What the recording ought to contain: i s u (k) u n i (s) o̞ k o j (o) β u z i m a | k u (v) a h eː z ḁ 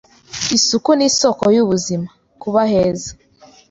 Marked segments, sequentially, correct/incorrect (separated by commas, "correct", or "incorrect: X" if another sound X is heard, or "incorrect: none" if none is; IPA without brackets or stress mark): correct, correct, incorrect: u, incorrect: β